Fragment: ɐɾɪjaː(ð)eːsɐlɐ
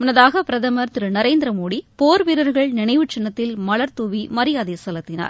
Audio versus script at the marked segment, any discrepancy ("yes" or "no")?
no